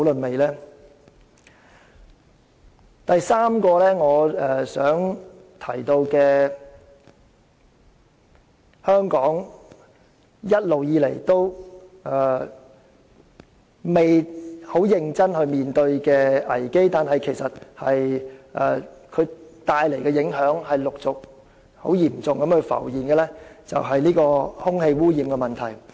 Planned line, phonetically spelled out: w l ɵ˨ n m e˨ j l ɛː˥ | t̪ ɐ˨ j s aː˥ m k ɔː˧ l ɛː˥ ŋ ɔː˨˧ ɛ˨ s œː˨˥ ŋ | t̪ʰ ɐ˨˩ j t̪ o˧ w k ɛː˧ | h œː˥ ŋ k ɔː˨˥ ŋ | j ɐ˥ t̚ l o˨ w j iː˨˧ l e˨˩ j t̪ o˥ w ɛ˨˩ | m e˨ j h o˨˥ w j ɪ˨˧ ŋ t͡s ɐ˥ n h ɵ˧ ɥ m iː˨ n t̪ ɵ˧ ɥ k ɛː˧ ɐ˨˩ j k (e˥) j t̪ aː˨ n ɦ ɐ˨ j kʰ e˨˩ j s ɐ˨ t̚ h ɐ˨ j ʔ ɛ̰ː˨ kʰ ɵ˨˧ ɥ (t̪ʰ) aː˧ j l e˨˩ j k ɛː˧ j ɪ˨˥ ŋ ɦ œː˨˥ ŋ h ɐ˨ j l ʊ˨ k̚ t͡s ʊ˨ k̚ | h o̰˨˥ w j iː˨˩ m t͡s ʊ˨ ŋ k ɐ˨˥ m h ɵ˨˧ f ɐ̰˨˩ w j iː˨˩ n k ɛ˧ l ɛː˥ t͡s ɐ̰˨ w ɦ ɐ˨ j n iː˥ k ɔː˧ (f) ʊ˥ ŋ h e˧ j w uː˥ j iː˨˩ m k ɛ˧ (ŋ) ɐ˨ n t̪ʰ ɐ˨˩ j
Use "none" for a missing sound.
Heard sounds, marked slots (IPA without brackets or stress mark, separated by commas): e˥, t̪, h, m